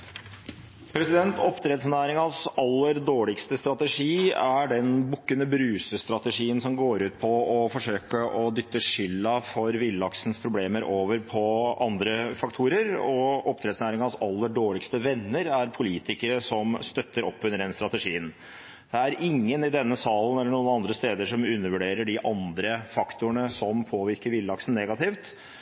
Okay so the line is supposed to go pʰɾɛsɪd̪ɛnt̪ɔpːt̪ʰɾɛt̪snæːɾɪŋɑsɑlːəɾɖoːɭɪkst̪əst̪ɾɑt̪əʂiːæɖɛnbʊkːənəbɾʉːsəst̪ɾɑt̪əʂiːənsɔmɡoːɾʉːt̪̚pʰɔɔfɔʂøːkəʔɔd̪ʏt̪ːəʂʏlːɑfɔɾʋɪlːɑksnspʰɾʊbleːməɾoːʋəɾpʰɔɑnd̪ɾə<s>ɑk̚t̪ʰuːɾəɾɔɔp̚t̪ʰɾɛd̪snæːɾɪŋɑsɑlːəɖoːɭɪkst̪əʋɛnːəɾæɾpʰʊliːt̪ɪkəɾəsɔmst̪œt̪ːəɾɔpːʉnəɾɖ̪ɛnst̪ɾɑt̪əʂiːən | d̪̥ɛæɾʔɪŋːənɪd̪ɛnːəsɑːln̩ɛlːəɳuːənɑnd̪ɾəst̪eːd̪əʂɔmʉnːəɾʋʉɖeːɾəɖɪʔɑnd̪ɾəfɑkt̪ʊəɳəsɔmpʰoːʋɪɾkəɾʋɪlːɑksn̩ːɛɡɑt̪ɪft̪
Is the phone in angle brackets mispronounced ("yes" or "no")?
yes